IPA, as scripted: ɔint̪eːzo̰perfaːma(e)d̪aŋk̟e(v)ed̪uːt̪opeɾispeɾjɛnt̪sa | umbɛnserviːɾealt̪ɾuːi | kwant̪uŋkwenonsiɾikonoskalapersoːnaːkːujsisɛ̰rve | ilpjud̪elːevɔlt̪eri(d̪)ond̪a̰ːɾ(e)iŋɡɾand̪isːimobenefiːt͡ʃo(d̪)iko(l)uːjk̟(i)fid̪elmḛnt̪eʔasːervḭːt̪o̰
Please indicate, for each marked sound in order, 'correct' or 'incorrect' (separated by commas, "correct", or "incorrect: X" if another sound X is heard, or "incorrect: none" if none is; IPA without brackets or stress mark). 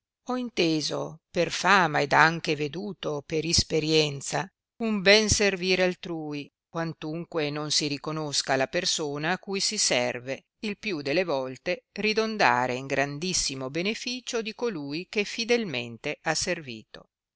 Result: correct, correct, correct, correct, correct, correct, incorrect: e